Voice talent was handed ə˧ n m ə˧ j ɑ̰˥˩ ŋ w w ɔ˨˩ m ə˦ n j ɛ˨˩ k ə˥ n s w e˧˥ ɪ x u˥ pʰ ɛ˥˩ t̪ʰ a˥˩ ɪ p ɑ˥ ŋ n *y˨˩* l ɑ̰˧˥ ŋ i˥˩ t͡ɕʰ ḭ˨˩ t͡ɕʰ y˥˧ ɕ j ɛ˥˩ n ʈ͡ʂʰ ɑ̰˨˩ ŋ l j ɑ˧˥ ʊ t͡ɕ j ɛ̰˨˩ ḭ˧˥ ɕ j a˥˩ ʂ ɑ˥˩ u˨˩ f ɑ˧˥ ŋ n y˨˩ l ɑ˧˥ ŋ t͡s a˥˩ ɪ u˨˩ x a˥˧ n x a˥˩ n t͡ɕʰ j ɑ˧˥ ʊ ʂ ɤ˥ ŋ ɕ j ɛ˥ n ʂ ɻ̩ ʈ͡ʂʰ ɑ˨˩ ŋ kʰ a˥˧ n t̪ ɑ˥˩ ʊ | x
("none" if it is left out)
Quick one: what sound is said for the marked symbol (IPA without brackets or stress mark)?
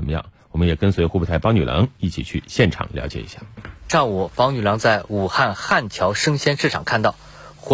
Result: y˨˩